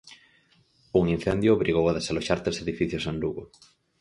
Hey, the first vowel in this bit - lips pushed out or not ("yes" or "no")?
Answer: yes